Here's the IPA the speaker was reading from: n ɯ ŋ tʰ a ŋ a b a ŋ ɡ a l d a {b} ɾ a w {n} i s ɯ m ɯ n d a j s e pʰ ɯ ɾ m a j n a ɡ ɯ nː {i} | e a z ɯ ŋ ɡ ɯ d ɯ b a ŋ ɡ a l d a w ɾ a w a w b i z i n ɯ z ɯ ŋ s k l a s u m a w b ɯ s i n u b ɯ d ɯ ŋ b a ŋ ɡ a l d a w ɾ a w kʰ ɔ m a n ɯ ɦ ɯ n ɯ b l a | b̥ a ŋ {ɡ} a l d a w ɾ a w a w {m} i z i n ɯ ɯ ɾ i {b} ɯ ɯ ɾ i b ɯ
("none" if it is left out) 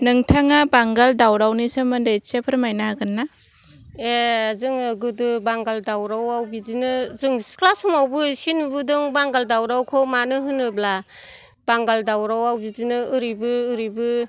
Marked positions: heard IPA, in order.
w, n, a, ɡ, b, b

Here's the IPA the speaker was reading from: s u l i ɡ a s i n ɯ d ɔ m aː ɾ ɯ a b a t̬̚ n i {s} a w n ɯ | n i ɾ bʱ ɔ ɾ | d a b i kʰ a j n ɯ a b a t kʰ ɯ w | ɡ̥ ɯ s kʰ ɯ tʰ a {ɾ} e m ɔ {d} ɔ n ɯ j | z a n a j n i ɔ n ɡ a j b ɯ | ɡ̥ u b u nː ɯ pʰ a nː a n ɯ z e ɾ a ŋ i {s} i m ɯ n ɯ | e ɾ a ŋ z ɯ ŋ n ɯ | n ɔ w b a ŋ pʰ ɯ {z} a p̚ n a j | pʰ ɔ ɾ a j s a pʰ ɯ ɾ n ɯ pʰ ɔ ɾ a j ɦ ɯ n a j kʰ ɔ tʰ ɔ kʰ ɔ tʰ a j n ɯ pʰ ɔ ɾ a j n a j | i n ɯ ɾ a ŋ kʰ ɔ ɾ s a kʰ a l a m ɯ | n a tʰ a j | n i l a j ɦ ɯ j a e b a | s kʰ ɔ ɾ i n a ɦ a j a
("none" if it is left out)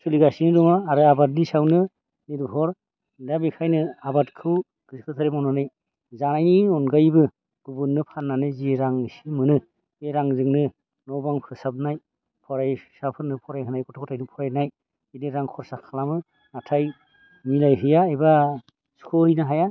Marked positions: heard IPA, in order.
s, ɾ, n, s, s

